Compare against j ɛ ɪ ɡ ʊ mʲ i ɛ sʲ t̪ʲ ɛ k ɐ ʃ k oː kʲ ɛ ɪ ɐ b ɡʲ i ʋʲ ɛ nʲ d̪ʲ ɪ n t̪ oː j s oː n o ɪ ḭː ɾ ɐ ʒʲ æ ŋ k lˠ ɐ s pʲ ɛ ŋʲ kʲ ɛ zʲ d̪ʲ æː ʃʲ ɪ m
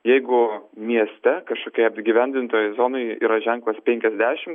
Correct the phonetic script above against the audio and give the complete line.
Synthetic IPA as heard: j ɛ ɪ ɡ ʊ mʲ i ɛ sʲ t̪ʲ ɛ k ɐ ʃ k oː kʲ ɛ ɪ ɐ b ɡʲ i ʋʲ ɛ nʲ d̪ʲ ɪ n t̪ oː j z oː n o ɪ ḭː ɾ ɐ ʒʲ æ ŋ k lˠ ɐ s pʲ ɛ ŋʲ kʲ ɛ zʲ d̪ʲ æː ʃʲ ɪ m